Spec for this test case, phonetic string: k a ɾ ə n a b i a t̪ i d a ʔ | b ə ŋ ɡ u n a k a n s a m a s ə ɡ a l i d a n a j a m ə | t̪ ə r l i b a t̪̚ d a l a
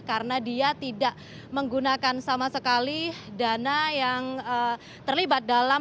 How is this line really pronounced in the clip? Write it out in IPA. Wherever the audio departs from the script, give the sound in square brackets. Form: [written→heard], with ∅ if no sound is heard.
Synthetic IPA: k a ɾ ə n a [b→d] i a t̪ i d a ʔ | [b→m] ə ŋ ɡ u n a k a n s a m a s ə [ɡ→k] a l i d a n a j a [m→ŋ] ə | t̪ ə r l i b a t̪̚ d a l a